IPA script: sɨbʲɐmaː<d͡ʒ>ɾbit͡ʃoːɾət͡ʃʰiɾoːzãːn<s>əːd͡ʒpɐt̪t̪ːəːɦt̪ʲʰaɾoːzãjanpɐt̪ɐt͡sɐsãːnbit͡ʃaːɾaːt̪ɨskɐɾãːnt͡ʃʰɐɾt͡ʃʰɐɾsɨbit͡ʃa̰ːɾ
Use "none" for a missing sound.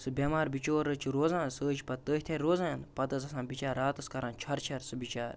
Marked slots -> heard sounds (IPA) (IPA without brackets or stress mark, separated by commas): none, s